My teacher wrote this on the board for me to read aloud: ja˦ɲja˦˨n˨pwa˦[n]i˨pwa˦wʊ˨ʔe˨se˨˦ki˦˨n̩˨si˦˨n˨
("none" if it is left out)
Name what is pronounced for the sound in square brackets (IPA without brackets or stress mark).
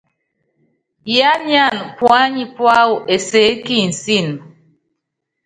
ɲ